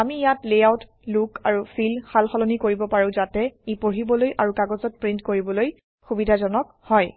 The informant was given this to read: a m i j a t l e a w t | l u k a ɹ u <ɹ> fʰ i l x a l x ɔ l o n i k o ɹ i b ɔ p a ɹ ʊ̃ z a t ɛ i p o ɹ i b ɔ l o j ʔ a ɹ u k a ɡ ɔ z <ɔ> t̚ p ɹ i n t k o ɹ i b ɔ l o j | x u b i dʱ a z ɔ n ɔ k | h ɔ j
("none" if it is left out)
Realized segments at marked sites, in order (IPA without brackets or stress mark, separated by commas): none, ɔ